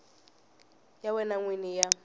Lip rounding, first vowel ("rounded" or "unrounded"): unrounded